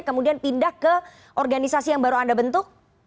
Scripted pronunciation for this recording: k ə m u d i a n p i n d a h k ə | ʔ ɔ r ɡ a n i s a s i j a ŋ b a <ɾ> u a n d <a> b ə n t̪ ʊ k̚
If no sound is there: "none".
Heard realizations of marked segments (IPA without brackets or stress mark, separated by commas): ɾ, a